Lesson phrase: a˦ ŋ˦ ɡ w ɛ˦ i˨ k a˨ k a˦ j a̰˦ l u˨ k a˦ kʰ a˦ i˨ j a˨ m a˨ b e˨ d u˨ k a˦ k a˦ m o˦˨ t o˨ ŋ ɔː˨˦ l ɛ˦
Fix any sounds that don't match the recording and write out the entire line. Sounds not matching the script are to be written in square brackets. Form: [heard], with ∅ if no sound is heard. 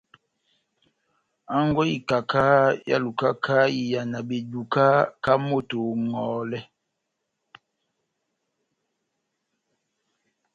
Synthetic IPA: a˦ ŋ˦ ɡ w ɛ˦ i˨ k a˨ k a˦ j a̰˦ l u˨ k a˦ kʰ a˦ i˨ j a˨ [n] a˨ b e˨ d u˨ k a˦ k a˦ m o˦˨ t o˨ ŋ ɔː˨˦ l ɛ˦